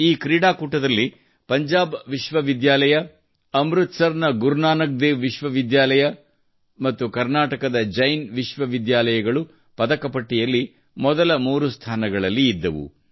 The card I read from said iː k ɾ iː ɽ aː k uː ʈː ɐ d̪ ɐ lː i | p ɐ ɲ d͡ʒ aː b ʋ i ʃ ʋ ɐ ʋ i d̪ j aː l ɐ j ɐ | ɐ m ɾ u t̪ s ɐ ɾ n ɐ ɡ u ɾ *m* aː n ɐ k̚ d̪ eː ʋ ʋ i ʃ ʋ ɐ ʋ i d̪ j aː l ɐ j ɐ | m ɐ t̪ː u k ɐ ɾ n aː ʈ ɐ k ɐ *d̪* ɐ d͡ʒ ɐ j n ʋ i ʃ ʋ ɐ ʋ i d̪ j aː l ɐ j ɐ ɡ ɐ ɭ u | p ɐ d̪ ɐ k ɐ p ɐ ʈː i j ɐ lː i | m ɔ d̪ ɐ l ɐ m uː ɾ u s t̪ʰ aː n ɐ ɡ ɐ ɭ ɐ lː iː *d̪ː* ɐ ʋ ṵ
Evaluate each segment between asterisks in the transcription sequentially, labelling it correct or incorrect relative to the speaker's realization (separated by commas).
incorrect, correct, correct